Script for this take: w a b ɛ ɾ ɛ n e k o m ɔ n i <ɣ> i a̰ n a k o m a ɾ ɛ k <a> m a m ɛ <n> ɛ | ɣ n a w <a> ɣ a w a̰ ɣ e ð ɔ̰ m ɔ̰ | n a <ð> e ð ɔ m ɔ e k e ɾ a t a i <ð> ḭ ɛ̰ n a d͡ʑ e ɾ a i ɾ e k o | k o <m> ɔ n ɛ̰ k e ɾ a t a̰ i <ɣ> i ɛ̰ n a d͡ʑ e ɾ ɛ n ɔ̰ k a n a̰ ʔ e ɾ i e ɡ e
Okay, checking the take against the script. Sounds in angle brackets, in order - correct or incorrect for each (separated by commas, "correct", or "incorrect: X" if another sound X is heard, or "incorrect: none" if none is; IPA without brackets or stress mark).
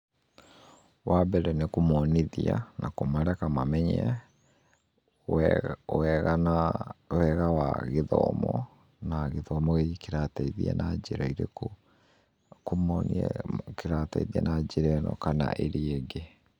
incorrect: ð, correct, incorrect: ɲ, incorrect: ɛ, incorrect: ɣ, correct, correct, incorrect: ð